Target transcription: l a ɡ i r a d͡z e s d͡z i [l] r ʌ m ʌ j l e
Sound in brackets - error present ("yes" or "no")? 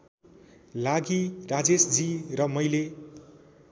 yes